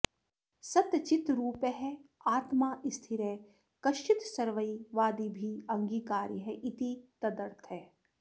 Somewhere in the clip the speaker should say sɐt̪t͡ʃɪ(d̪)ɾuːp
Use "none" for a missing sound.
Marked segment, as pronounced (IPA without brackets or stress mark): t̪